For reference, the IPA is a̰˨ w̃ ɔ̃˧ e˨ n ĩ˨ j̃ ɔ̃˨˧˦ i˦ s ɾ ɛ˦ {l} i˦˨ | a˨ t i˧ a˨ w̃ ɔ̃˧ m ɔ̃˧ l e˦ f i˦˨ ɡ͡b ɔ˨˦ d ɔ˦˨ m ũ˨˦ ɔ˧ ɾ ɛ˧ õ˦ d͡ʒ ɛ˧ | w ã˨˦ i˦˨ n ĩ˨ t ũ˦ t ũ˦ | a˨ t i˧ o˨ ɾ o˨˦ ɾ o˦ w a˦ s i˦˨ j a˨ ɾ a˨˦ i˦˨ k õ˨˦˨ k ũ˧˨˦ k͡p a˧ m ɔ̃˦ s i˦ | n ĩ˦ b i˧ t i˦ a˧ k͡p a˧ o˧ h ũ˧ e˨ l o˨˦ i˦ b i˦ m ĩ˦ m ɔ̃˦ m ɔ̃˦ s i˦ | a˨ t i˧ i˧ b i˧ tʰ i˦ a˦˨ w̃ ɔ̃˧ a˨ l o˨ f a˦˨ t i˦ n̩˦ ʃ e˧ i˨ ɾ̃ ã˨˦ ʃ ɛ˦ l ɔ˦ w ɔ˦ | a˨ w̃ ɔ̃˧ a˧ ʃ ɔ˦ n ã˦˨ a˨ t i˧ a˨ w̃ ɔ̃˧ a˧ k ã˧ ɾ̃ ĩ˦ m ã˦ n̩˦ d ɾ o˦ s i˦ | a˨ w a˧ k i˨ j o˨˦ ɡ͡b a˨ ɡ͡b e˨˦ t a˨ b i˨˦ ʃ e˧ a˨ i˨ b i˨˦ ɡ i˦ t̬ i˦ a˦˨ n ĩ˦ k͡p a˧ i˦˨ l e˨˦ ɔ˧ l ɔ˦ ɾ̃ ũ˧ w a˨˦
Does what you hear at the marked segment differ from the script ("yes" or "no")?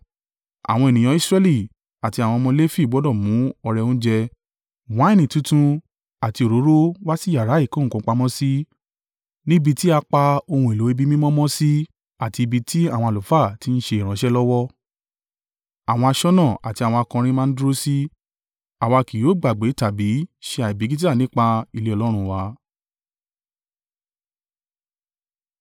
no